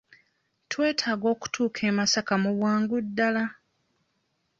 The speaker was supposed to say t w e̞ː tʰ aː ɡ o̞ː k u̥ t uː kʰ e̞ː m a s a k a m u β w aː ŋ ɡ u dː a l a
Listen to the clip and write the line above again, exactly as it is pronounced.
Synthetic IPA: t w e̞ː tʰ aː ɡ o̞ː k u̥ t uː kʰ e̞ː m a s a k a m u β w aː ŋ ɡ u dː a l a

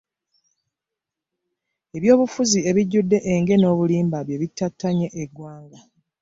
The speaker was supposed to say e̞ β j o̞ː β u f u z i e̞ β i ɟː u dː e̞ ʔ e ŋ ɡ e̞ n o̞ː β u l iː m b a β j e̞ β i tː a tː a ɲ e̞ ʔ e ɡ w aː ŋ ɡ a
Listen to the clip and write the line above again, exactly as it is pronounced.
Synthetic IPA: e̞ β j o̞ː β u f u z i e̞ β i ɟː u dː e̞ ʔ e ŋ ɡ e̞ n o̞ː β u l iː m b a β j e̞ β i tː a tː a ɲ e̞ ʔ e ɡ w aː ŋ ɡ a

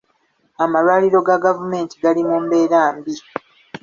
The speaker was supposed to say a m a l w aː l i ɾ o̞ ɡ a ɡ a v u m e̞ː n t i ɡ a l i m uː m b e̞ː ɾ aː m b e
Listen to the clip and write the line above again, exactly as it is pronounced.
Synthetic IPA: a m a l w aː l i ɾ o̞ ɡ a ɡ a v u m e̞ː n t i ɡ a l i m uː m b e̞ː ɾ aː m b i

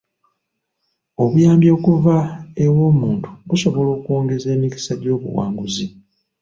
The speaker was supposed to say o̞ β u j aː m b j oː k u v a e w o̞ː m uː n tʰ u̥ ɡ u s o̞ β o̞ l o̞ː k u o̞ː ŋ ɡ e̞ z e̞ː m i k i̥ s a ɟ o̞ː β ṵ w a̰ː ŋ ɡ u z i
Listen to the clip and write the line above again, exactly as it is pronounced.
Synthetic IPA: o̞ β u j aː m b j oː k u v a e w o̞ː m uː n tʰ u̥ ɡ u s o̞ β o̞ l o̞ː k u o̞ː ŋ ɡ e̞ z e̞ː m i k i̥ s a ɟ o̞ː β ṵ w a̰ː ŋ ɡ u z i

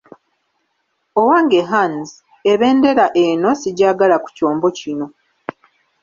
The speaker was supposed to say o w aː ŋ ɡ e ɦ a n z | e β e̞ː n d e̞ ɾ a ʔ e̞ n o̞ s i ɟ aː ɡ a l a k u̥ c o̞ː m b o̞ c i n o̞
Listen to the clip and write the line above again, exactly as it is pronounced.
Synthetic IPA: o w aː ŋ ɡ e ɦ a n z | e β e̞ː n d e̞ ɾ a ʔ e̞ n o̞ s i ɟ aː ɡ a l a k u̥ c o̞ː m b o̞ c i n o̞

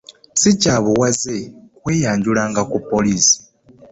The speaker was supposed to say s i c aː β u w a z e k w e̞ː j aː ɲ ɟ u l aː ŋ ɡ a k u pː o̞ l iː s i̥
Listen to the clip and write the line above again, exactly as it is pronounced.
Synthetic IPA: s i c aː β u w a z e k w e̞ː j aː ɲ ɟ u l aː ŋ ɡ a k u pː o̞ l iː s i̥

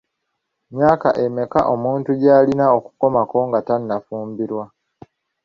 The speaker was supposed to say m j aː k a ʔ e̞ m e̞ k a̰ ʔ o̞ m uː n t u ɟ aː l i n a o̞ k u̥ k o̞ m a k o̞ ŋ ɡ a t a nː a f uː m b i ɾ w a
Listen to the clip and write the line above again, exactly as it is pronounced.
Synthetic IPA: m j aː k a ʔ e̞ m e̞ k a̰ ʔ o̞ m uː n t u ɟ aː l i n a o̞ k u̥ k o̞ m a k o̞ ŋ ɡ a t a nː a f uː m b i ɾ w a

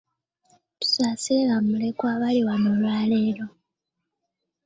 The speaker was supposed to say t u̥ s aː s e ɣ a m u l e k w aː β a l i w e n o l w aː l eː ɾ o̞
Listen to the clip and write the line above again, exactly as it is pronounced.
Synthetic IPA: t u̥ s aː s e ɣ a m u l e k w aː β a l i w a n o l w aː l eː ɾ o̞

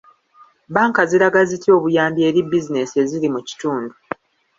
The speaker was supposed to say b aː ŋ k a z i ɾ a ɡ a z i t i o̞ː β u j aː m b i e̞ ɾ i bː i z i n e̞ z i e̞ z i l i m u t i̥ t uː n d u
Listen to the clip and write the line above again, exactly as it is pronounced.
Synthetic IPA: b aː ŋ k a z i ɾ a ɡ a z i t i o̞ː β u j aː m b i e̞ ɾ i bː i z i n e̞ s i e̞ z i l i m u c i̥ t uː n d u

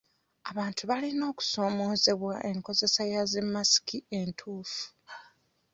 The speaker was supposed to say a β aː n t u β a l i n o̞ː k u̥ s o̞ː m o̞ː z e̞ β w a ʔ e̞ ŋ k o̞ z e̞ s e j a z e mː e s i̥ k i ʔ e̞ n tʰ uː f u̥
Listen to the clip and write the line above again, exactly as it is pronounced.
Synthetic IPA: a β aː n t u β a l i n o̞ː k u̥ s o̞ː m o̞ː z e̞ β w a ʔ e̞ ŋ k o̞ z e̞ s a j a z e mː a s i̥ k i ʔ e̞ n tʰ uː f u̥

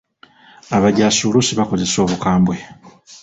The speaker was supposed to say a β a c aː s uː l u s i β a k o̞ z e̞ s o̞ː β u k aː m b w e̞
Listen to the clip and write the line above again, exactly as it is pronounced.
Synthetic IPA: a β a ɟ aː s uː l u s i β a k o̞ z e̞ s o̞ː β u k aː m b w e̞

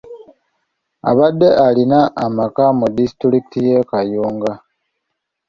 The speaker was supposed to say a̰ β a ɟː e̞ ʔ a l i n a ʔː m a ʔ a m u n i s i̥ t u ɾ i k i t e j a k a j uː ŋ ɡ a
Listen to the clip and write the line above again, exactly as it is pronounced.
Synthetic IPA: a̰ β a dː e̞ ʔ a l i n a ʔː m a k a m u d i s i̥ t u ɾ i k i t i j e k a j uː ŋ ɡ a

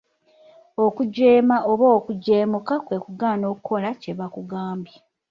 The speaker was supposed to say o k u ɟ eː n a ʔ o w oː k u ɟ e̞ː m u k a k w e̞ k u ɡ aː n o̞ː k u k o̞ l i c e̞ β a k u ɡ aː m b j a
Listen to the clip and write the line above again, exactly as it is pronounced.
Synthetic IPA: o k u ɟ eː m a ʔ o β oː k u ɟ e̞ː m u k a k w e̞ k u ɡ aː n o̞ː k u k o̞ l a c e̞ β a k u ɡ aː m b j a

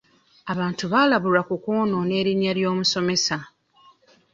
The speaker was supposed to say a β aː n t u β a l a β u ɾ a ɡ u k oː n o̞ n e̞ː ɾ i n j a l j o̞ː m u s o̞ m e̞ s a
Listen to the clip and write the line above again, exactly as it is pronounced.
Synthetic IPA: a β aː n t u β a l a β u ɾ a k u k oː n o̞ n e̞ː ɾ i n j a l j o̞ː m u s o̞ m e̞ s a

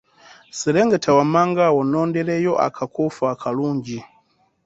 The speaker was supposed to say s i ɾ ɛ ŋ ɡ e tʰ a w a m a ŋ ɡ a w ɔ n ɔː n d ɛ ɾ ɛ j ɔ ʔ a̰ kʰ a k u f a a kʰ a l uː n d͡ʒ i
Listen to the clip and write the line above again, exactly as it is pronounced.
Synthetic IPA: s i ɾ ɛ ŋ ɡ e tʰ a w a m a ŋ ɡ a w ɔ n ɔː n d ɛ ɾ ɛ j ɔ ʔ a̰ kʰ a k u f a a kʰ a l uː ɲ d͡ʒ i

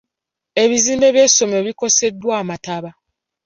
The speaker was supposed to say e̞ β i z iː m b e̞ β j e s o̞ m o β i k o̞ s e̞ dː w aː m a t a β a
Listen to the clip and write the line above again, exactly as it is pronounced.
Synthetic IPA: e̞ β i z iː m b e̞ β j e s o̞ m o β i k o̞ s e̞ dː w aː m a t a β a

